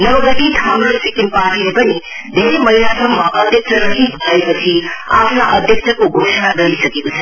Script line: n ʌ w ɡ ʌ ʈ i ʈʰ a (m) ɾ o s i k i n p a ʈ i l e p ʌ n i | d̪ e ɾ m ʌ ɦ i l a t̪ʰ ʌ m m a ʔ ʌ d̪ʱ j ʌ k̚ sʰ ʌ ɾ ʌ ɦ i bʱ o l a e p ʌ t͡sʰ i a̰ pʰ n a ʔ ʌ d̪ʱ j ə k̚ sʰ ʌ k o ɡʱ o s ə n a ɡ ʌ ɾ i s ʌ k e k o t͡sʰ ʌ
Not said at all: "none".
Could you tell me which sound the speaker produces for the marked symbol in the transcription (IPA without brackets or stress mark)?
m